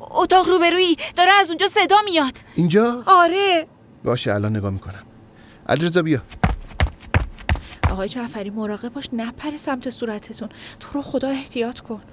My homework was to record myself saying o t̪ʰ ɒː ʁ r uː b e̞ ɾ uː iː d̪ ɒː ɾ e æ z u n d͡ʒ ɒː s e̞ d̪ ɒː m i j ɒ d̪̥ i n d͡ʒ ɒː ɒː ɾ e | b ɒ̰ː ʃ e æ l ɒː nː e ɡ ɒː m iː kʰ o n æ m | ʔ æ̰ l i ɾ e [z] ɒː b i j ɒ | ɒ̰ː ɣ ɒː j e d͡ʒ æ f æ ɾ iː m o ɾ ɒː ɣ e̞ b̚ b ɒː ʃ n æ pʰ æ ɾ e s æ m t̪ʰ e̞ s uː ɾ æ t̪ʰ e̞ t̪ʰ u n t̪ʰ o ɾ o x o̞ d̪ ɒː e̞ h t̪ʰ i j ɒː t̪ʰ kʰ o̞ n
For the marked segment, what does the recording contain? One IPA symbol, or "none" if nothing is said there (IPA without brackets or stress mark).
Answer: z